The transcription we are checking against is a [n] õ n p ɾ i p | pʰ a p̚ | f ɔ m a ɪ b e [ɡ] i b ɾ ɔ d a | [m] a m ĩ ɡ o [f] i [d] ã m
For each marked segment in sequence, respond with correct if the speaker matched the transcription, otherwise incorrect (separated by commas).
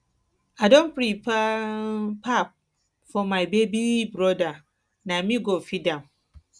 incorrect, incorrect, incorrect, correct, correct